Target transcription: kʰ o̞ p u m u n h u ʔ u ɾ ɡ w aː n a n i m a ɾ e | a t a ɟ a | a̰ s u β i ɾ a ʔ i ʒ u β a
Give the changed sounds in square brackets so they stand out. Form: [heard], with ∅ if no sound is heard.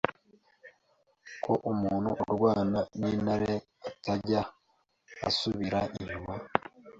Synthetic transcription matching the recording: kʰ o̞ [ʔ] u m [uː] n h u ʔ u ɾ ɡ w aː n a n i [n] a ɾ e | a t a ɟ a | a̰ s u β i ɾ a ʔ i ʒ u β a